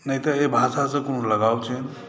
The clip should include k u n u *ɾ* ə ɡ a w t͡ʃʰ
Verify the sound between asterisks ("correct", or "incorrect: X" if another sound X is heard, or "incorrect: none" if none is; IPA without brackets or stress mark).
incorrect: l